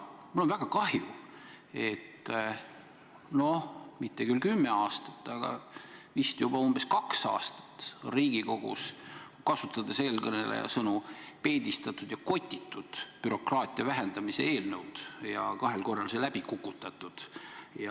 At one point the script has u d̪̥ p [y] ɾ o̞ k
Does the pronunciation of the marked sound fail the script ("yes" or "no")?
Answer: no